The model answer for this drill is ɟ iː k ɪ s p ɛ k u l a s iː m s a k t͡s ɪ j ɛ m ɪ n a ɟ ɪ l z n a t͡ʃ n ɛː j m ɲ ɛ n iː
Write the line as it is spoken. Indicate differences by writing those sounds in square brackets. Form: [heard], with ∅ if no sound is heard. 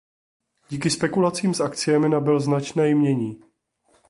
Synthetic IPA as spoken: ɟ iː k ɪ s p ɛ k u l a [t͡s] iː m s a k t͡s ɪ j ɛ m ɪ n a [b] ɪ l z n a t͡ʃ n ɛː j m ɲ ɛ [ɲ] iː